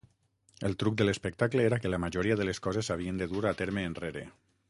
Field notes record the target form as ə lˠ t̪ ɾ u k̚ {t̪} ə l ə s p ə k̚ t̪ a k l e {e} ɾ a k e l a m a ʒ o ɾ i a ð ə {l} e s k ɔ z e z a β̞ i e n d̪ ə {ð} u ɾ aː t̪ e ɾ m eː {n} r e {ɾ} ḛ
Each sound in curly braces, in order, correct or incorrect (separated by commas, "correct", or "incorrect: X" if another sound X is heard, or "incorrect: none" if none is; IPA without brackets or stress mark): incorrect: d̪, correct, correct, correct, correct, correct